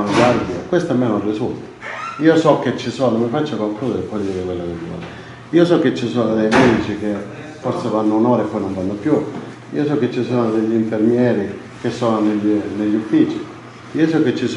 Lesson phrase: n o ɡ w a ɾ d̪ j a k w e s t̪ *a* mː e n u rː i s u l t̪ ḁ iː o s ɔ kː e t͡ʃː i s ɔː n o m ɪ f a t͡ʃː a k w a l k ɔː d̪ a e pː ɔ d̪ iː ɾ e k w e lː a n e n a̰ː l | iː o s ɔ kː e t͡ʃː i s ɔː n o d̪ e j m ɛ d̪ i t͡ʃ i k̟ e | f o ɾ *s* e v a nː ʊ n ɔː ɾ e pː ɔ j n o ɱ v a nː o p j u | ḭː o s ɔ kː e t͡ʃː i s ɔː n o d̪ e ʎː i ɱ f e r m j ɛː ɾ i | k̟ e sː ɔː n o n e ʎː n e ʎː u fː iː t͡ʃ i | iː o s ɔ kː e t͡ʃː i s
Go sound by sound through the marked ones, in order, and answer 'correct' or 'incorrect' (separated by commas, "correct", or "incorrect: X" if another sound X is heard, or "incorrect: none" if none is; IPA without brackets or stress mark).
correct, correct